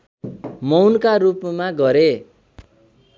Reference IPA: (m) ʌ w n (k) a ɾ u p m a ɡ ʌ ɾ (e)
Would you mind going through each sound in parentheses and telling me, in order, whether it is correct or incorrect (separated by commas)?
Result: correct, correct, correct